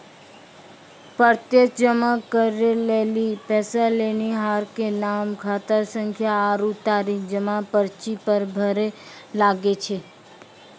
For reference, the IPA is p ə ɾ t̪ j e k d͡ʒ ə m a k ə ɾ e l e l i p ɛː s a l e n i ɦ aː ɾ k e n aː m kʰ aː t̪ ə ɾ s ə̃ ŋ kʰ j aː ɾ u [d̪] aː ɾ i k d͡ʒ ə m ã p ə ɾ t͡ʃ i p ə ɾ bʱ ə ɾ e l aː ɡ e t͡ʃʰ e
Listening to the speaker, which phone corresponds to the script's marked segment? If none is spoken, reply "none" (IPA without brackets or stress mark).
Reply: t̪